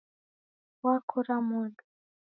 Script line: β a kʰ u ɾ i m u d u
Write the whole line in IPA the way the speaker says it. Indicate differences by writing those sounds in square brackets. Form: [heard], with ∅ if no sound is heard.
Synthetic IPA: [w] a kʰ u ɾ [a] m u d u